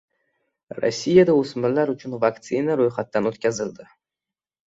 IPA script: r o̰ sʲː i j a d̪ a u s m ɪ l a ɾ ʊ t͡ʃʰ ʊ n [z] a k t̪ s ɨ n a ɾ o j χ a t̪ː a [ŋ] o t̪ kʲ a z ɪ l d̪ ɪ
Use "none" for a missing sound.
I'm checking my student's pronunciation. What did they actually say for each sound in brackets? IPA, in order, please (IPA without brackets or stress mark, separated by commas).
v, n